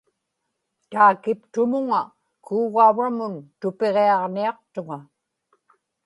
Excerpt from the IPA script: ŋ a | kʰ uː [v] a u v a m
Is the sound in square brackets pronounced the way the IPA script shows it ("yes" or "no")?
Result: no